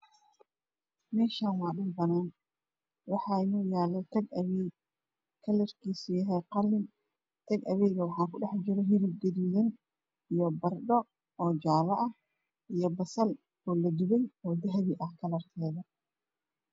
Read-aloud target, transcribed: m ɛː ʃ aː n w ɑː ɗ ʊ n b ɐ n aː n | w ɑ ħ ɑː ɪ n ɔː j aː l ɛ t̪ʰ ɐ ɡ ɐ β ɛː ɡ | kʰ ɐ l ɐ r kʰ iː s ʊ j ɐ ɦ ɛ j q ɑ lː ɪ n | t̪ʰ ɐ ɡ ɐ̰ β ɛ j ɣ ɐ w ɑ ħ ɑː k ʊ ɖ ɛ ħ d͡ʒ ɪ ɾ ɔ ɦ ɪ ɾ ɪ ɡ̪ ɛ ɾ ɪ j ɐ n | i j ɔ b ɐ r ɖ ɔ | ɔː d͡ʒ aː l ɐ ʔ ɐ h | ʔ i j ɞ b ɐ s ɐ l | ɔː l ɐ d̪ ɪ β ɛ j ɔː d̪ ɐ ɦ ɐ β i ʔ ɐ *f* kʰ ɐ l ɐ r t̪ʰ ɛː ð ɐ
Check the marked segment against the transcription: incorrect: h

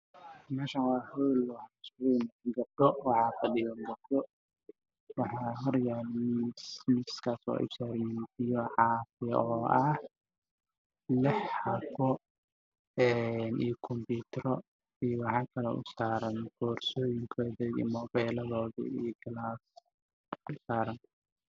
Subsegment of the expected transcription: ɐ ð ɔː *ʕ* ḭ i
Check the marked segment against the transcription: incorrect: ð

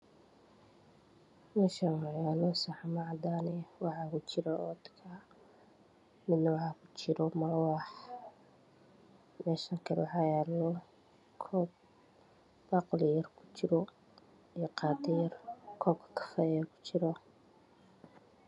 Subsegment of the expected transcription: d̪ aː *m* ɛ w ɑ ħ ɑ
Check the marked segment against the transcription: incorrect: n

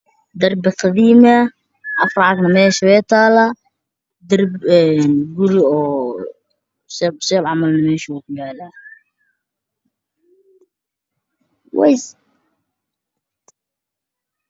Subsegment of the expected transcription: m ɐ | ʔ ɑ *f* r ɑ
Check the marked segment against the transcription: correct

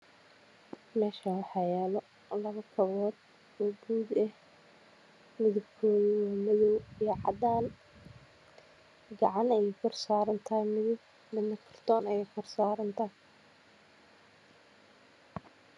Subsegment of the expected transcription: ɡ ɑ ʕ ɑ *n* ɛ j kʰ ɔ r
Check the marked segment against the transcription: correct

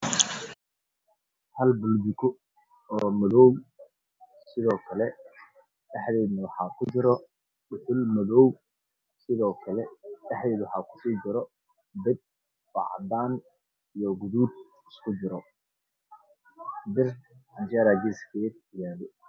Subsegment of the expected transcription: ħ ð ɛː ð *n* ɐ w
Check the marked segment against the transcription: correct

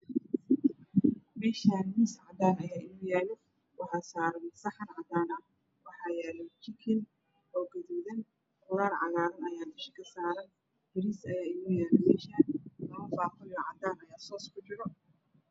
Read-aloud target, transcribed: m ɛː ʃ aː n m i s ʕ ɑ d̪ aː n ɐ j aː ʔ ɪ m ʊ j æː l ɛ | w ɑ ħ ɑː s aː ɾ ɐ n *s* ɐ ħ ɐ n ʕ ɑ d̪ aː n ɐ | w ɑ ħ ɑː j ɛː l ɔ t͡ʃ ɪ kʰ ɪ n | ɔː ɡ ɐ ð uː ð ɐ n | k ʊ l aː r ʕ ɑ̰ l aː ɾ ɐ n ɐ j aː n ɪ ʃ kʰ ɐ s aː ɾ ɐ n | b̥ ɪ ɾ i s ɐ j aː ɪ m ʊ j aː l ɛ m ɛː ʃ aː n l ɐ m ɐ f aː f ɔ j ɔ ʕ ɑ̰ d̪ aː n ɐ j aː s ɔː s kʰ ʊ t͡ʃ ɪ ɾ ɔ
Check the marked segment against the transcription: correct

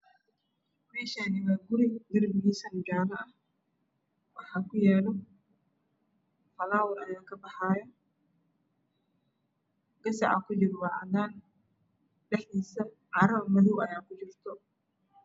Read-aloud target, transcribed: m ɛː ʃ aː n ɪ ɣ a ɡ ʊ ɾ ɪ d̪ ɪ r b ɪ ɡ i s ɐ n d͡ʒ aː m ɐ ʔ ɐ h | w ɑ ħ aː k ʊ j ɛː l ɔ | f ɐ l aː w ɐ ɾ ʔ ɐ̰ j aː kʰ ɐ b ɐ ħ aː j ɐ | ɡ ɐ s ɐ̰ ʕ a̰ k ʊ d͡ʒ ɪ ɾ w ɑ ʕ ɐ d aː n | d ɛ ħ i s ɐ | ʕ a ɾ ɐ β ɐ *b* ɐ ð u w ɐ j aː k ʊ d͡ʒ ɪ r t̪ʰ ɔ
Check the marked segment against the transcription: incorrect: m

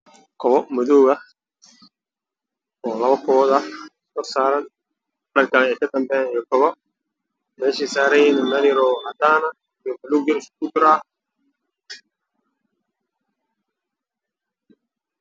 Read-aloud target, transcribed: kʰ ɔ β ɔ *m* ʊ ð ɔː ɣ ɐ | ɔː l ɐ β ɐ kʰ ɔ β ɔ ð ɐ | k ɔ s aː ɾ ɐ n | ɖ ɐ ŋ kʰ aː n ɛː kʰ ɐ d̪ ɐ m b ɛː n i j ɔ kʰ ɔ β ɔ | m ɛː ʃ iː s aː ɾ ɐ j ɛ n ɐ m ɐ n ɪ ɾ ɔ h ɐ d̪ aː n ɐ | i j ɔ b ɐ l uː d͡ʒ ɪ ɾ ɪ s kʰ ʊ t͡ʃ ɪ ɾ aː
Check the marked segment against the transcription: correct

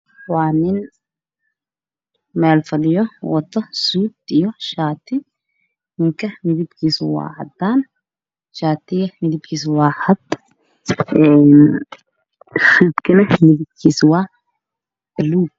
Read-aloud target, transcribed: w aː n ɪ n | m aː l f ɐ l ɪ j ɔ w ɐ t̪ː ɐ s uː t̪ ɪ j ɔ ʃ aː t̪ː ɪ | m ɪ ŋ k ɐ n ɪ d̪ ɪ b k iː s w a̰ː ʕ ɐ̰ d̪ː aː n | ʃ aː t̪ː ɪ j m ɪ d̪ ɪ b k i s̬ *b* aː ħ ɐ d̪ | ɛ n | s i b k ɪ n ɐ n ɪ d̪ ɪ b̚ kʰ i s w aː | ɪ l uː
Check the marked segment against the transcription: incorrect: w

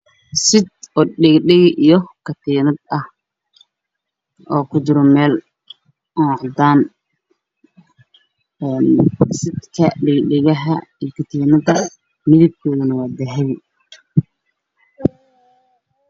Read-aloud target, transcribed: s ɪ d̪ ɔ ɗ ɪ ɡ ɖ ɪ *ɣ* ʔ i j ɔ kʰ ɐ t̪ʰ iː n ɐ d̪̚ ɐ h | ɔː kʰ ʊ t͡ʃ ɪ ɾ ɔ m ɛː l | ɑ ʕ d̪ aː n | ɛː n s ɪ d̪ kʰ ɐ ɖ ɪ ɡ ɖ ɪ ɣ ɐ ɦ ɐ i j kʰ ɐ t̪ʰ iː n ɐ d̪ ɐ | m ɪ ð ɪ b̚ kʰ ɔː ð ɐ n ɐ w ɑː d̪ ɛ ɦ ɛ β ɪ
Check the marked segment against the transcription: correct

